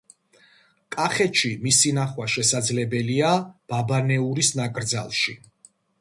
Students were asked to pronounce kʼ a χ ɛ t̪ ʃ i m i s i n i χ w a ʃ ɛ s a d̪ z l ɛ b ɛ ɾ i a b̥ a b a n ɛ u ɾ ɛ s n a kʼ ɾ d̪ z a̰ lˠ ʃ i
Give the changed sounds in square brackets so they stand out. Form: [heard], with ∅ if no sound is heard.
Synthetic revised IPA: kʼ a χ ɛ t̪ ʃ i m i s i n [a] χ w a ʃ ɛ s a d̪ z l ɛ b ɛ [l] i a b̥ a b a n ɛ u ɾ [i] s n a kʼ ɾ d̪ z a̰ lˠ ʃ i

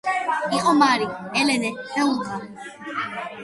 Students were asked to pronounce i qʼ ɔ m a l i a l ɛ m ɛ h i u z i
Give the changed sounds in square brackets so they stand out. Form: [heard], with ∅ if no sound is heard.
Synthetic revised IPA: i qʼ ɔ m a [ɾ] i [ɛ] l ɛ [n] ɛ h [ɛ] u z [a]

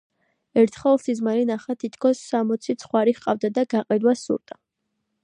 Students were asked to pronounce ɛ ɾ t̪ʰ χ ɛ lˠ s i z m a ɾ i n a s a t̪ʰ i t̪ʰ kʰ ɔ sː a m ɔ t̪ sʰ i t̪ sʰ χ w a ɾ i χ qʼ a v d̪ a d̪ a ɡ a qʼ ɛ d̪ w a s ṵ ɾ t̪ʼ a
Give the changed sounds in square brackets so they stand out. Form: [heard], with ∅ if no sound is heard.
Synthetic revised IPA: ɛ ɾ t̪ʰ χ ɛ lˠ s i z m a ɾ i n a [χ] a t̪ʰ i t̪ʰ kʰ ɔ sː a m ɔ t̪ sʰ i t̪ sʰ χ w a ɾ i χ qʼ a v d̪ a d̪ a ɡ a qʼ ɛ d̪ w a s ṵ ɾ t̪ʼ a

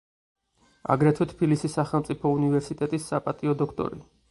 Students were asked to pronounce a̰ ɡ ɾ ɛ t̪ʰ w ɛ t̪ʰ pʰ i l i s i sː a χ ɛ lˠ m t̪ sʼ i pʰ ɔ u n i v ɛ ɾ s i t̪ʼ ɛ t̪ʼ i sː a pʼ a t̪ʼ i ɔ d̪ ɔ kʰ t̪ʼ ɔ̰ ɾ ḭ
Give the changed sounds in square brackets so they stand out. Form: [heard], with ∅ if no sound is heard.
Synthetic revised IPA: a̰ ɡ ɾ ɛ t̪ʰ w ɛ t̪ʰ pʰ i l i s i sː a χ ɛ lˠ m t̪ sʼ i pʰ ɔ u n i v ɛ ɾ s i t̪ʼ ɛ t̪ʼ i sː a pʼ a t̪ʼ i ɔ d̪ ɔ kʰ t̪ʼ ɔ̰ ɾ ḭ

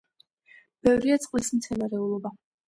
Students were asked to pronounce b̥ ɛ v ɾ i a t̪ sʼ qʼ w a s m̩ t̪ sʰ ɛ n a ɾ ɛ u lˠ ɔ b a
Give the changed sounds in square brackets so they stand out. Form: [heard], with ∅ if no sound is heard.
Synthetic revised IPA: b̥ ɛ v ɾ i a t̪ sʼ qʼ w [i] s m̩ t̪ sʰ ɛ n a ɾ ɛ u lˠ ɔ b a

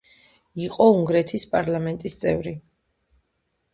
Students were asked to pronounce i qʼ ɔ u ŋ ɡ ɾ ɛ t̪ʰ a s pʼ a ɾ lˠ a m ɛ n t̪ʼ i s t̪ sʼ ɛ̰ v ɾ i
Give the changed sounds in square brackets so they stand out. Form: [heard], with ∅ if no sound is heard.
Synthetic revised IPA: i qʼ ɔ u ŋ ɡ ɾ ɛ t̪ʰ [i] s pʼ a ɾ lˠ a m ɛ n t̪ʼ i s t̪ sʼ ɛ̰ v ɾ i

